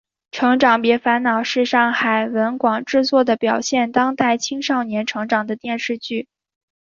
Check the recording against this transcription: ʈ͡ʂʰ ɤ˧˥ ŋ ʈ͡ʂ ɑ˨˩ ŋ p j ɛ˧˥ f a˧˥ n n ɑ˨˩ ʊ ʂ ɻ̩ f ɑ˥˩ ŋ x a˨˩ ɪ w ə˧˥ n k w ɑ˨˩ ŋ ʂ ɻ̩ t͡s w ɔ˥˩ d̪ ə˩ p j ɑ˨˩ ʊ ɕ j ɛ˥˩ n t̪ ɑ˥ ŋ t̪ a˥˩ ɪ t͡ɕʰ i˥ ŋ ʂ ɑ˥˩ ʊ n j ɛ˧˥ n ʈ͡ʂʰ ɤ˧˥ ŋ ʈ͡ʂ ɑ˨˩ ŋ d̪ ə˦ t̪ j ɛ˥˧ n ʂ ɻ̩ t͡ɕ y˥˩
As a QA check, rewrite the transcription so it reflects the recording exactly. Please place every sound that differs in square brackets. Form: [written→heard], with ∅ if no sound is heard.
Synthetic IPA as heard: ʈ͡ʂʰ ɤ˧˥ ŋ ʈ͡ʂ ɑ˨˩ ŋ p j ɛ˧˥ f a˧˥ n n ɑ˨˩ ʊ ʂ ɻ̩ [f→ʂ] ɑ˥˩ ŋ x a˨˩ ɪ w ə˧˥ n k w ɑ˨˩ ŋ [ʂ→ʈ͡ʂ] ɻ̩ t͡s w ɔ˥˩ d̪ ə˩ p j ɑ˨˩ ʊ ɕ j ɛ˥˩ n t̪ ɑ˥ ŋ t̪ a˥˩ ɪ t͡ɕʰ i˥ ŋ ʂ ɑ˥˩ ʊ n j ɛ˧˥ n ʈ͡ʂʰ ɤ˧˥ ŋ ʈ͡ʂ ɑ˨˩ ŋ d̪ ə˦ t̪ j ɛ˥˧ n ʂ ɻ̩ t͡ɕ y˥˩